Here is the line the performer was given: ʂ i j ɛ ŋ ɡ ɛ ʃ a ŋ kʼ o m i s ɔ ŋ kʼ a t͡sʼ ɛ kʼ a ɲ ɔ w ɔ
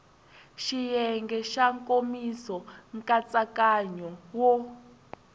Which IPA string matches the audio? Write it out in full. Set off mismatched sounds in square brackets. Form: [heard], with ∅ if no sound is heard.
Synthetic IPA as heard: [ʃ] i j ɛ ŋ ɡ ɛ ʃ a ŋ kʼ o m i s ɔ ŋ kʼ a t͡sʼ [a] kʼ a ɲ ɔ w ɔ